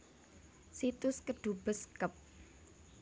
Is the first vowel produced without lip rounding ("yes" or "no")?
yes